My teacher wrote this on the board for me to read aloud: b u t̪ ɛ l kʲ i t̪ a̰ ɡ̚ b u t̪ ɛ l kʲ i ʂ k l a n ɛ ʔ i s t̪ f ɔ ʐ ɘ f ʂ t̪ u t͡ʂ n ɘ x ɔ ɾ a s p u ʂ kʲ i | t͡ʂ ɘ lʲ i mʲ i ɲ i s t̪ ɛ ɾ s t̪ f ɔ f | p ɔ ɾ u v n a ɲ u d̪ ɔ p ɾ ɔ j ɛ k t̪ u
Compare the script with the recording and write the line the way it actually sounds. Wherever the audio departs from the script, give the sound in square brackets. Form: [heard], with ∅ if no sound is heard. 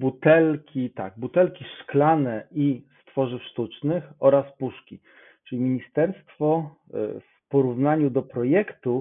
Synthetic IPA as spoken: b u t̪ ɛ l kʲ i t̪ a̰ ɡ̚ b u t̪ ɛ l kʲ i ʂ k l a n ɛ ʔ i s t̪ f ɔ ʐ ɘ f ʂ t̪ u t͡ʂ n ɘ x ɔ ɾ a s p u ʂ kʲ i | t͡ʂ ɘ lʲ i mʲ i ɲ i s t̪ ɛ ɾ s t̪ f ɔ f | p ɔ ɾ u v n a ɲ u d̪ ɔ p ɾ ɔ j ɛ k t̪ u